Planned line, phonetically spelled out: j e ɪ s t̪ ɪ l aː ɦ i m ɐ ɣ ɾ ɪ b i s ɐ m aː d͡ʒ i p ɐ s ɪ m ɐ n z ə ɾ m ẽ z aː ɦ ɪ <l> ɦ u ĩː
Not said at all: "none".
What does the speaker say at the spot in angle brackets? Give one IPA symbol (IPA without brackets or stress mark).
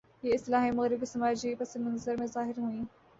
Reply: ɾ